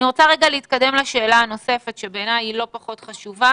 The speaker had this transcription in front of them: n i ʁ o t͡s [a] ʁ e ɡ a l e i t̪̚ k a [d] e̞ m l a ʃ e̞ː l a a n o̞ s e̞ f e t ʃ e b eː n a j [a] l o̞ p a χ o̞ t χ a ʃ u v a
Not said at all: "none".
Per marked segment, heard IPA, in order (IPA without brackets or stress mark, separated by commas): a, d, i